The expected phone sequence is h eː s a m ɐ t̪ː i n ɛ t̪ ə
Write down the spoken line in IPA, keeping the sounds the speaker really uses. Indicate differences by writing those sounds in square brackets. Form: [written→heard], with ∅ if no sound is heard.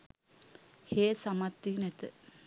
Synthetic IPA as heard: h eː s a m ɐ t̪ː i n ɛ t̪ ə